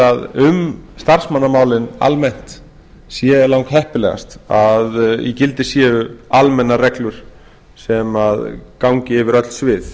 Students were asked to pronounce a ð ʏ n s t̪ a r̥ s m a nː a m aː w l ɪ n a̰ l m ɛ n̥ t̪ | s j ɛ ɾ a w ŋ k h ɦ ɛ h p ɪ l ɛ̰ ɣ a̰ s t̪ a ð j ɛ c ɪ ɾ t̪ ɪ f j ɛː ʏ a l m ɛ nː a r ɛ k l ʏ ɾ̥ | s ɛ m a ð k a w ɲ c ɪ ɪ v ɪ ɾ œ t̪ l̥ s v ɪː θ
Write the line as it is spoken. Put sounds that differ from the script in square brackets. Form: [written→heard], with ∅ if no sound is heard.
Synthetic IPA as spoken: a ð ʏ [n→m] s t̪ a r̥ s m a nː a m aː w l ɪ n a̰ l m ɛ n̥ t̪ | s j ɛ [ɾ→l] a w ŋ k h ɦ ɛ h p ɪ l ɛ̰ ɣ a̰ s t̪ a ð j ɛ c ɪ [ɾ→l] t̪ ɪ [f→s] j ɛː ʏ a l m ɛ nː a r ɛ k l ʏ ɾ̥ | s ɛ m a ð k a w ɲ c ɪ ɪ v ɪ ɾ œ t̪ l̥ s v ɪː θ